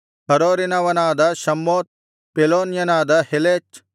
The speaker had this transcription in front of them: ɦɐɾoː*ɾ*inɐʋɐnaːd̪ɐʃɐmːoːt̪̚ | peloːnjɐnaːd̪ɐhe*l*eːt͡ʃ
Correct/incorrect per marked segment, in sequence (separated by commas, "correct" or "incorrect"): correct, correct